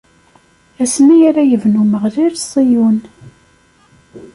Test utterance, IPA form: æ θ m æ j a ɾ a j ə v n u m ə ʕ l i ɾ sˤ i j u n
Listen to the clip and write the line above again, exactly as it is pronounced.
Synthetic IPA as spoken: æ s m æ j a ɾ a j ə v n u m ə ʁ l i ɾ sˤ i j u n